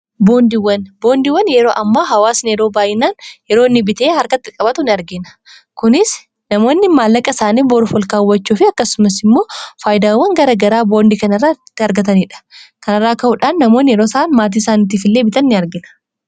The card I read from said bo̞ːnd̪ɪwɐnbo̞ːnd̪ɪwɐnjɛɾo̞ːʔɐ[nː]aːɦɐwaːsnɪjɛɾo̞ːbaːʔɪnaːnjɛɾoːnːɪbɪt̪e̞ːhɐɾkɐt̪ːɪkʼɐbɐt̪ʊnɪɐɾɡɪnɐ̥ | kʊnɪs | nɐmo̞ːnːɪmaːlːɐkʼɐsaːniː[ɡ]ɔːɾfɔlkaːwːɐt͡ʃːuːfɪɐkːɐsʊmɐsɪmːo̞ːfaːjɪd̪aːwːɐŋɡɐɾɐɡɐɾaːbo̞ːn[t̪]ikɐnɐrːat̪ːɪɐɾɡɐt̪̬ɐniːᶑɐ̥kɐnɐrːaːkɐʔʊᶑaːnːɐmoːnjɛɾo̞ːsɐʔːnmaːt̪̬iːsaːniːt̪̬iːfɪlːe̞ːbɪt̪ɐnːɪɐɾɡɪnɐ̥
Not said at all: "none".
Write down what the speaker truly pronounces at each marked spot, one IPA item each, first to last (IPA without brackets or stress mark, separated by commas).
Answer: mː, b, d̪